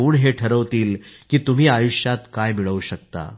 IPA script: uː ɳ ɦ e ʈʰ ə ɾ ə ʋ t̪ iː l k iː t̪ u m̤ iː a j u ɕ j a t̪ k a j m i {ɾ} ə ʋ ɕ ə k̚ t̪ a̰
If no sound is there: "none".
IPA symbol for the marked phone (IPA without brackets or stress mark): ɭ